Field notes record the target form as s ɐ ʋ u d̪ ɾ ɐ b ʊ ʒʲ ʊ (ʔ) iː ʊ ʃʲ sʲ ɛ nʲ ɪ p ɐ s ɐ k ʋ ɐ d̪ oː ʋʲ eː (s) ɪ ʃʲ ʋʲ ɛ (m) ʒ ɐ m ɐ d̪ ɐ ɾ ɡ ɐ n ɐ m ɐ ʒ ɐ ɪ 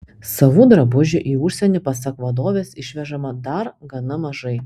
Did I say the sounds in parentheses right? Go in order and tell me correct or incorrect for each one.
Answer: correct, correct, incorrect: none

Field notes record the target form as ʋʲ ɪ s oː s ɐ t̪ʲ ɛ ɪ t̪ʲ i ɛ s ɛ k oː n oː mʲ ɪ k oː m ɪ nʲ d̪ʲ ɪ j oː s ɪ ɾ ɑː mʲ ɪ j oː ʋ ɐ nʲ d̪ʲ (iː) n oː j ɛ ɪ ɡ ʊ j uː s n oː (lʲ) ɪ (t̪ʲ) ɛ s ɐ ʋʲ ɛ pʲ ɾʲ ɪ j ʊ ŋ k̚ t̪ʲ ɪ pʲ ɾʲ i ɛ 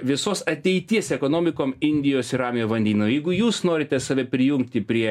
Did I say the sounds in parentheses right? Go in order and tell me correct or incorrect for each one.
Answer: correct, incorrect: ɾʲ, correct

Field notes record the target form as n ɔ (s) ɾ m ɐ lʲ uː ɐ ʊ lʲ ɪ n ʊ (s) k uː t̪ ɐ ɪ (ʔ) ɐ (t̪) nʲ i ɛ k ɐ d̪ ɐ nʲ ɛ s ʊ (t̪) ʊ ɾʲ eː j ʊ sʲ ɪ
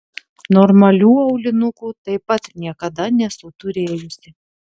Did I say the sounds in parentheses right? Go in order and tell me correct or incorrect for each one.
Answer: incorrect: none, incorrect: none, incorrect: p, correct, correct

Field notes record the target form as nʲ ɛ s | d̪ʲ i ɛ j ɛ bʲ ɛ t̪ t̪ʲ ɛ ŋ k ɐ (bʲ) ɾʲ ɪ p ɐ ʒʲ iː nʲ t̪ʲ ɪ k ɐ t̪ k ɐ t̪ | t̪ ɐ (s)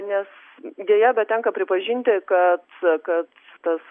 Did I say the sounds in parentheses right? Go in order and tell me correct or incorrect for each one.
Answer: incorrect: pʲ, correct

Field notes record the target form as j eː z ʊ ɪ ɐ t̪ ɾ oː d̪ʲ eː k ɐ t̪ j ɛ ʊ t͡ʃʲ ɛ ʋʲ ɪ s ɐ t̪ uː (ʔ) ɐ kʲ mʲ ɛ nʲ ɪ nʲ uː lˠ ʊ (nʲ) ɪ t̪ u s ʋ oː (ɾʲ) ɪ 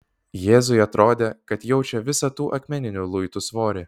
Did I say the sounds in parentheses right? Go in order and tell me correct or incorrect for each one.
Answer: correct, incorrect: none, correct

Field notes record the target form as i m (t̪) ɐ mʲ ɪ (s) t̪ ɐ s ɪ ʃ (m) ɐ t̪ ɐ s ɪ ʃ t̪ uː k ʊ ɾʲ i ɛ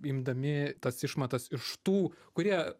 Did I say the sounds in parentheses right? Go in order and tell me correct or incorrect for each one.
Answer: incorrect: d̪, incorrect: none, correct

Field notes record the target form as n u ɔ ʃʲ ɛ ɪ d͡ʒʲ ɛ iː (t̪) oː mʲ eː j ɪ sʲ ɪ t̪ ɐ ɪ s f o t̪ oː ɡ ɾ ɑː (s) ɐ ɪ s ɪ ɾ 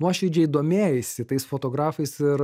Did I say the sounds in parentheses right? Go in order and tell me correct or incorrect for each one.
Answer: incorrect: d̪, incorrect: f

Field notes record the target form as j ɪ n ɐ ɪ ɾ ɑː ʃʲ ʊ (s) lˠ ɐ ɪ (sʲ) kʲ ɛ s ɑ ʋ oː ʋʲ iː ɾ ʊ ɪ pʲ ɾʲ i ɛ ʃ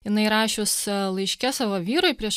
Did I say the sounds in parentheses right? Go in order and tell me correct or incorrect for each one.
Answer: correct, incorrect: ʃʲ

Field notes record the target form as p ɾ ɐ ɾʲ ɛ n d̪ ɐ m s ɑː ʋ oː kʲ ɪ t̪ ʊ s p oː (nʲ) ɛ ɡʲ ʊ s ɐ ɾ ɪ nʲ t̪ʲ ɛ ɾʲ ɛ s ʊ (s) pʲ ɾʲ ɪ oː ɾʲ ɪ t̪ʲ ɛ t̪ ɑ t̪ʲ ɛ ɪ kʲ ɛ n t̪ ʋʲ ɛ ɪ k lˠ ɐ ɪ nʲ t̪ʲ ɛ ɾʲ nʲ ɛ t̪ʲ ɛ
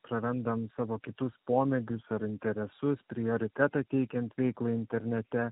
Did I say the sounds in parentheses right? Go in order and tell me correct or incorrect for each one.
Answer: incorrect: mʲ, correct

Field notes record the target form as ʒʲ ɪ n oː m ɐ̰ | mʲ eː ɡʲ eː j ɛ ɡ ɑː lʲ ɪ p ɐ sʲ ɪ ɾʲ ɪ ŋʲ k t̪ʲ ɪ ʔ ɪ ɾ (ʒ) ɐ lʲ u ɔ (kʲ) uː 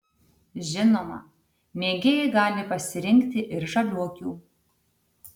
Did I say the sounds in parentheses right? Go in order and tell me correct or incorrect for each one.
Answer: correct, correct

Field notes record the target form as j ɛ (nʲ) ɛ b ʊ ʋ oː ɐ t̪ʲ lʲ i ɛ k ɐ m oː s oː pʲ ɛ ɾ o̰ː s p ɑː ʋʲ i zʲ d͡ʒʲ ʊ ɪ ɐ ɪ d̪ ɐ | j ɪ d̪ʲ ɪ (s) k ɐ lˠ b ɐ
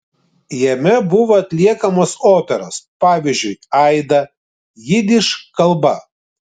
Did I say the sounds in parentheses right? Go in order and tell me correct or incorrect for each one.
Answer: incorrect: mʲ, incorrect: ʃ

